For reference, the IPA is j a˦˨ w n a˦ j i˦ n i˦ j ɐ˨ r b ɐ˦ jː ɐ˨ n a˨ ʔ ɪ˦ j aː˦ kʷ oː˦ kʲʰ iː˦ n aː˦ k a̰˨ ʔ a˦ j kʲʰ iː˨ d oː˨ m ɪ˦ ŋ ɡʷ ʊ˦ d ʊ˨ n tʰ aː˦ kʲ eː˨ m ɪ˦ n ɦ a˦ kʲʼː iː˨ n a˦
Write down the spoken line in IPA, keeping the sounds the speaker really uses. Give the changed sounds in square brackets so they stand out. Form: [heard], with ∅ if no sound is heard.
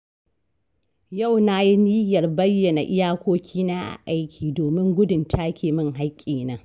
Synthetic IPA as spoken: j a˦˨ w n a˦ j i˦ n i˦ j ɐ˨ r b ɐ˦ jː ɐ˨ n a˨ ʔ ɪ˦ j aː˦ kʷ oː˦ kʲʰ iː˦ n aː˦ [ʔ] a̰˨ ʔ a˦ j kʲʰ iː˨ d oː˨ m ɪ˦ ŋ ɡʷ ʊ˦ d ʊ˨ n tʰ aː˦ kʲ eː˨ m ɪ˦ [ŋ] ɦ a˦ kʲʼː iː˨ n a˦

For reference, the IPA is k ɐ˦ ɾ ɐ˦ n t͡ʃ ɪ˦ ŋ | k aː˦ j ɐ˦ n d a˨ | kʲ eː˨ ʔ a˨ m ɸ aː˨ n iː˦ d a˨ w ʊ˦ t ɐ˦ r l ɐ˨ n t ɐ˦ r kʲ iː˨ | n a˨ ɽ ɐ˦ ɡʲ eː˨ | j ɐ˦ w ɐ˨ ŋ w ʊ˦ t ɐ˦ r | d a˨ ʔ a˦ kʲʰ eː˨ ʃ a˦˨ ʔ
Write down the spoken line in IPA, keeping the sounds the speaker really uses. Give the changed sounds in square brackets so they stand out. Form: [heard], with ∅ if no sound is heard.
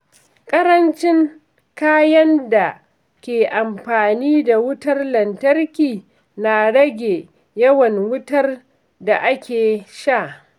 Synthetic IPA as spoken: [kʼ] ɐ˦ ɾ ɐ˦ n t͡ʃ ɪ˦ ŋ | k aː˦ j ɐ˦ n d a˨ | kʲ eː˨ ʔ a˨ m ɸ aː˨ n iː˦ d a˨ w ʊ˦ t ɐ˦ r l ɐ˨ n t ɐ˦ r kʲ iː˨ | n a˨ ɽ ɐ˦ ɡʲ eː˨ | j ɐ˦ w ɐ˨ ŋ w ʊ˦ t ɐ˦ r | d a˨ ʔ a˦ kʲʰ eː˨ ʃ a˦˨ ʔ

